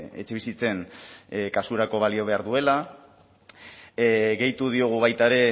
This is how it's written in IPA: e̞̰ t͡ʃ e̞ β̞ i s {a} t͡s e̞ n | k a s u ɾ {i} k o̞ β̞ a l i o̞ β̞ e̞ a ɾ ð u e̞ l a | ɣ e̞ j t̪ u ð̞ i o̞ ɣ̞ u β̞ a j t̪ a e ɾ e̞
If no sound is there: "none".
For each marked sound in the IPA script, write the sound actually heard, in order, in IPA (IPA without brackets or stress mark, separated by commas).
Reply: i, a